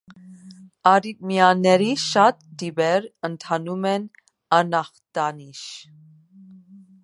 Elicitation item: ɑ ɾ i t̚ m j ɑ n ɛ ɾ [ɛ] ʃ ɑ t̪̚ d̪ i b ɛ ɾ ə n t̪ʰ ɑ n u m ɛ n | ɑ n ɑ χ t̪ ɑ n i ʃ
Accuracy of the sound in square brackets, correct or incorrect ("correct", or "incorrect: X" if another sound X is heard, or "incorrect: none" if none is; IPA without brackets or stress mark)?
incorrect: i